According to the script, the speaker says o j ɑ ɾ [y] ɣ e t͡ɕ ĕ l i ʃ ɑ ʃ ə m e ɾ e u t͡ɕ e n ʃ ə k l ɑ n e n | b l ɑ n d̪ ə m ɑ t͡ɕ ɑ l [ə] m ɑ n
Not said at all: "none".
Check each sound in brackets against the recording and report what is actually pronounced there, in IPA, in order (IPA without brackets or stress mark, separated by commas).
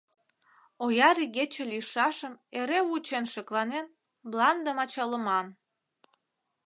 i, ə